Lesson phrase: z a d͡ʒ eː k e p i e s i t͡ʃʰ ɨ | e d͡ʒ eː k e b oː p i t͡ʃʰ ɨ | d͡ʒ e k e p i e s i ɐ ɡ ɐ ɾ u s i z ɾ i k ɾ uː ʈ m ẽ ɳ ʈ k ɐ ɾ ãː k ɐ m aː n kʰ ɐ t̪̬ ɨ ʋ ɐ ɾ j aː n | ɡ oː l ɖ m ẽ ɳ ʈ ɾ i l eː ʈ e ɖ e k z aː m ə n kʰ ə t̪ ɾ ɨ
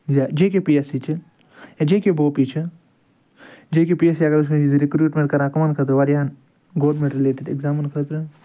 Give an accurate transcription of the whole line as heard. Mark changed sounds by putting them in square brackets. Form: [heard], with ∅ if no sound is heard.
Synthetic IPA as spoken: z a d͡ʒ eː k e p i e s i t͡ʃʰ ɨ | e d͡ʒ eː k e b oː p i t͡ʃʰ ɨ | d͡ʒ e k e p i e s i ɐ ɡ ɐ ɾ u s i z ɾ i k ɾ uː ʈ m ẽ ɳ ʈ k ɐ ɾ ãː k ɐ m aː n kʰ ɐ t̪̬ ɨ ʋ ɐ ɾ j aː n | ɡ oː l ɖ m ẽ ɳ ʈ ɾ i l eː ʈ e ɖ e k z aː m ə n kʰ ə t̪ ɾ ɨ